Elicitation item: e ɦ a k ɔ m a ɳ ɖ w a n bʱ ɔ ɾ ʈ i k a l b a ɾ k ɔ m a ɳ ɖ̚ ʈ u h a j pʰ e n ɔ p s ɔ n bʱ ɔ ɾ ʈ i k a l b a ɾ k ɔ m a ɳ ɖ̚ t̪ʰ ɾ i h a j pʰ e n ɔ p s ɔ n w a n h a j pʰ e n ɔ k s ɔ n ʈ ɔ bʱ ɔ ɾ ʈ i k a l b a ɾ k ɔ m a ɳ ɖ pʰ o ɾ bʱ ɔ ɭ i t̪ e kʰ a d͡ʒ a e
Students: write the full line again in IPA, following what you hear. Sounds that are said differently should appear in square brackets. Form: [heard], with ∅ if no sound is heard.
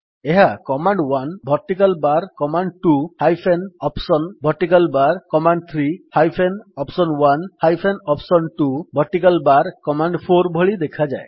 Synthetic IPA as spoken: e ɦ a k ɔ m a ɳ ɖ w a n bʱ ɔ ɾ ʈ i k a l b a ɾ k ɔ m a ɳ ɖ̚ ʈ u h a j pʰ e n ɔ p s ɔ n bʱ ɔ ɾ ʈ i k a l b a ɾ k ɔ m a ɳ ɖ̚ t̪ʰ ɾ i h a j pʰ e n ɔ p s ɔ n w a n h a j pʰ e n ɔ [p] s ɔ n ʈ [u] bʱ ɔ ɾ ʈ i k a l b a ɾ k ɔ m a ɳ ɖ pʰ o ɾ bʱ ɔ ɭ i [d̪] e kʰ a d͡ʒ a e